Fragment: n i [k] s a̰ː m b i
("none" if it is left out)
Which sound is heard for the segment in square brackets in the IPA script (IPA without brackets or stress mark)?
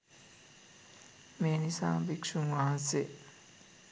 none